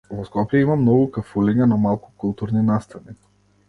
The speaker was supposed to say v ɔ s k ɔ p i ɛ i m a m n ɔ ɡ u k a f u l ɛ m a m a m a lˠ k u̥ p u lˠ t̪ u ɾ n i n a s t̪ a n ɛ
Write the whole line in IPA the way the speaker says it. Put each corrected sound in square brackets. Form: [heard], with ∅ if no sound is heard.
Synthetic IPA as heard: v ɔ s k ɔ p [j] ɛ i m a m n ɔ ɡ u k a f u l ɛ [ɲ] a [n] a m a lˠ k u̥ [k] u lˠ t̪ u ɾ n i n a s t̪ a n [i]